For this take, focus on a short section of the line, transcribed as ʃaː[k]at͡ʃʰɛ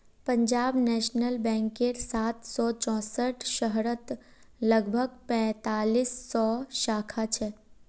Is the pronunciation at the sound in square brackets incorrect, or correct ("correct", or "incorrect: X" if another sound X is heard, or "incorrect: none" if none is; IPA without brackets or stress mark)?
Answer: incorrect: kʰ